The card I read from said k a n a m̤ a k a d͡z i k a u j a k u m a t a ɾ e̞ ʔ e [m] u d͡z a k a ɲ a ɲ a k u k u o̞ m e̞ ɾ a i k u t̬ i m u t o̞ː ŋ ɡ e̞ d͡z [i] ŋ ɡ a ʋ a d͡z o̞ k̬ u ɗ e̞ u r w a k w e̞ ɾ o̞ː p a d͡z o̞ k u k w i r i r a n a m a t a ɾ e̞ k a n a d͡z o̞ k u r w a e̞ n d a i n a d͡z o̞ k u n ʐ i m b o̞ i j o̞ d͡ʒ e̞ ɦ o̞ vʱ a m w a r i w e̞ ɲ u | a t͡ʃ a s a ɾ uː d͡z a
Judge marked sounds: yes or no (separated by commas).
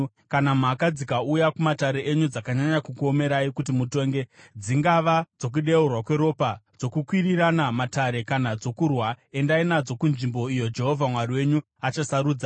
no, yes